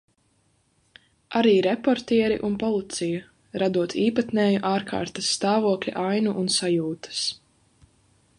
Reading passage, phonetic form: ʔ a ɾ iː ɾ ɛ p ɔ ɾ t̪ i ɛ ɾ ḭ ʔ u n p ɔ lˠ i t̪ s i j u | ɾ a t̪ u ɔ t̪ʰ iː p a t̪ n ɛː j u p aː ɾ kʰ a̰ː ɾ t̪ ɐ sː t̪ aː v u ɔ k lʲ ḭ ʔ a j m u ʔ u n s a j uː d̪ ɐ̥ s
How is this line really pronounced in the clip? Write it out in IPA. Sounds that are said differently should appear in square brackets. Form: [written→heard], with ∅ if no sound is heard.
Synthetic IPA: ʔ a ɾ iː ɾ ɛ p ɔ ɾ t̪ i ɛ ɾ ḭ ʔ u n p ɔ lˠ i t̪ s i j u | ɾ a [t̪→d̪] u ɔ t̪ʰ iː p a t̪ n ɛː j u [p→ʔ] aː ɾ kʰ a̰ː ɾ t̪ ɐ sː t̪ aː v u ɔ k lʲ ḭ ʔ a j [m→n] u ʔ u n s a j uː [d̪→t̪] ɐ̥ s

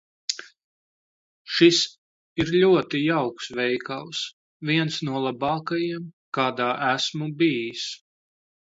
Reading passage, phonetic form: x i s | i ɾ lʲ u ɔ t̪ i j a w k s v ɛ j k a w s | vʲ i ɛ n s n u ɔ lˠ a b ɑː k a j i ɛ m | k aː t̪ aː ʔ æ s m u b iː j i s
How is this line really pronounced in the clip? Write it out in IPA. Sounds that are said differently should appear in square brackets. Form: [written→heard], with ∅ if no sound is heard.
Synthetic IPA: [x→ʃ] i s | i ɾ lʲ u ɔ t̪ i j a w k s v ɛ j k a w s | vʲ i ɛ n s n u ɔ lˠ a b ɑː k a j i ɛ m | k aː [t̪→d̪] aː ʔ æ s m u b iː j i s

